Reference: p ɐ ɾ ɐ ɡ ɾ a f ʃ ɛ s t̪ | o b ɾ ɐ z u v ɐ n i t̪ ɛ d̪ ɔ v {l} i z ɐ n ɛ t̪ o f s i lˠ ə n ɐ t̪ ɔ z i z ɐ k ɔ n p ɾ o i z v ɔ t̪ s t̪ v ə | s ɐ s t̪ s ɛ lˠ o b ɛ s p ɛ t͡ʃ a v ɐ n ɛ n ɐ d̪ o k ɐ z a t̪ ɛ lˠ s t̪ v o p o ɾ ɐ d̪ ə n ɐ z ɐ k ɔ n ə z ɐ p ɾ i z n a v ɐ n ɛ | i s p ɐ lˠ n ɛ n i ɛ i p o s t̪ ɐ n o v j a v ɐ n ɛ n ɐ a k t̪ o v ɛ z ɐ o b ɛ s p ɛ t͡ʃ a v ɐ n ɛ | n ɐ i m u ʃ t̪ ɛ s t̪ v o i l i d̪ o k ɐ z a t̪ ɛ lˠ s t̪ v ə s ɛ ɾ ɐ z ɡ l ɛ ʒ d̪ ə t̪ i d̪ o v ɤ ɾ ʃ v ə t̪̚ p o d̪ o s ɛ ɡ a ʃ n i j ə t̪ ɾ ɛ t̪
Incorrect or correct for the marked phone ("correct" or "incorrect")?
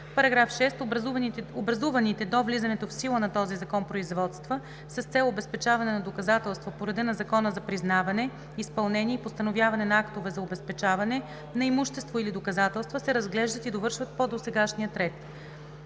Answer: correct